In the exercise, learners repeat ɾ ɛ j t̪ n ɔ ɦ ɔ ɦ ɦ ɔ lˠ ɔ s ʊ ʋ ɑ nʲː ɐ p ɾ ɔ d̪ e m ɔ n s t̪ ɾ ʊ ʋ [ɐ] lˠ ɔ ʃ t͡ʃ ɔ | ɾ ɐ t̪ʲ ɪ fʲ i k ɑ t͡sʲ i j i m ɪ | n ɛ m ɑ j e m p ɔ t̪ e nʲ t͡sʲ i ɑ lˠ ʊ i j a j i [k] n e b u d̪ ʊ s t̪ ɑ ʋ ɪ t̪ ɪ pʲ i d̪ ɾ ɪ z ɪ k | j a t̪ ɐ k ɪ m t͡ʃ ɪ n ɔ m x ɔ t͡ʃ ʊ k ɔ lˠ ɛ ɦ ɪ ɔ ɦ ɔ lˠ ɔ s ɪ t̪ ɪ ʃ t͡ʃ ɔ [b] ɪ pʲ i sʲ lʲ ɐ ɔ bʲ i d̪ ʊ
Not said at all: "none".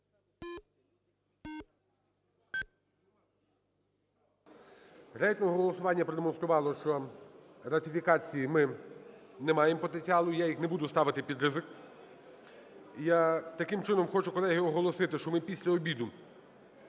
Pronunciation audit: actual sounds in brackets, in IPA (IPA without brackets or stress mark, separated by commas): ɑ, x, m